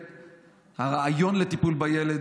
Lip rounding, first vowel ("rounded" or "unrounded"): unrounded